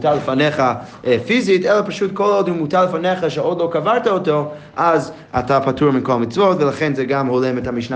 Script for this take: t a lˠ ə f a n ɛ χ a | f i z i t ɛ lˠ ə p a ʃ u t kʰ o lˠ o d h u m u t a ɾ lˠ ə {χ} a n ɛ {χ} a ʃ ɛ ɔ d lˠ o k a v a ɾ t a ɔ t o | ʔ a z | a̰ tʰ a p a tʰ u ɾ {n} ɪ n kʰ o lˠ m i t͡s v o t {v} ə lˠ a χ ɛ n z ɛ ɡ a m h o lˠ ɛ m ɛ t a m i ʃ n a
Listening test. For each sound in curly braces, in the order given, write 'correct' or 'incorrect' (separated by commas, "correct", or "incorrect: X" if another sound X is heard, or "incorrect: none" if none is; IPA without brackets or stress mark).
incorrect: f, correct, incorrect: m, correct